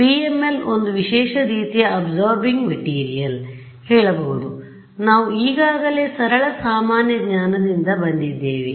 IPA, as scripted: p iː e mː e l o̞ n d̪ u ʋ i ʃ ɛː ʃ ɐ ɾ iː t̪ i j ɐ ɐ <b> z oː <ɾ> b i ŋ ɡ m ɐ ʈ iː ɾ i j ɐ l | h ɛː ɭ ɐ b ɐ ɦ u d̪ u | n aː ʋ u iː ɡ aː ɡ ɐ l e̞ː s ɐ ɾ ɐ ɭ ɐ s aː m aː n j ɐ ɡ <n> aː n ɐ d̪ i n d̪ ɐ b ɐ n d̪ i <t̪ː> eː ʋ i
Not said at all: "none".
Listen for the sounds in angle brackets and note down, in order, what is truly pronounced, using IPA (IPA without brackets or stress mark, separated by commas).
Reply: b, ɾ, ɲ, d̪ː